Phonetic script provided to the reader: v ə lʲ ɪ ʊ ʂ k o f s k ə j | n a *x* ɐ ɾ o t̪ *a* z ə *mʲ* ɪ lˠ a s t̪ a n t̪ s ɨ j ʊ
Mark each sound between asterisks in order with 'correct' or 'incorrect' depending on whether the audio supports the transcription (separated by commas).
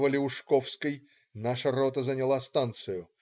incorrect, incorrect, incorrect